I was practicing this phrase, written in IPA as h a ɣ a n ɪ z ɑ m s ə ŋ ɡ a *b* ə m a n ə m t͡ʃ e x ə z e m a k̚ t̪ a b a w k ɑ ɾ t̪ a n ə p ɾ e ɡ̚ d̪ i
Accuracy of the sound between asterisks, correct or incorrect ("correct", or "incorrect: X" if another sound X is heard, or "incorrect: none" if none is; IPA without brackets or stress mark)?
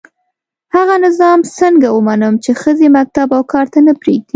incorrect: w